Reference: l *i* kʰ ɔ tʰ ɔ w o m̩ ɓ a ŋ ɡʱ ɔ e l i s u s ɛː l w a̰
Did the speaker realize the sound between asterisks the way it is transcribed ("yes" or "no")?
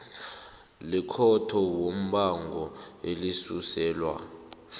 yes